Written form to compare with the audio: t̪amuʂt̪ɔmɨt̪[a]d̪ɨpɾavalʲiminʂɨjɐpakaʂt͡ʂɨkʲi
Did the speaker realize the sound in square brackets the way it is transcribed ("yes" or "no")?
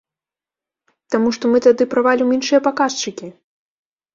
yes